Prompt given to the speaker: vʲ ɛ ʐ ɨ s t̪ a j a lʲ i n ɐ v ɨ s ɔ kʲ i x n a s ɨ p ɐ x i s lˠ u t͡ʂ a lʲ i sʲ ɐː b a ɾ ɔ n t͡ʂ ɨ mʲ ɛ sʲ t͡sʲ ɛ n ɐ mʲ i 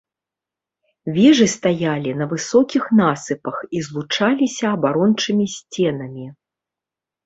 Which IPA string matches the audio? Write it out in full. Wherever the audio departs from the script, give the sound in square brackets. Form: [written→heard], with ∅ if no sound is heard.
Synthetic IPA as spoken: vʲ ɛ ʐ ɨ s t̪ a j a lʲ i n ɐ v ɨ s ɔ kʲ i x n a s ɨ p ɐ x i [s→z] lˠ u t͡ʂ a lʲ i sʲ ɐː b a ɾ ɔ n t͡ʂ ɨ mʲ [ɛ→i] sʲ t͡sʲ ɛ n ɐ mʲ i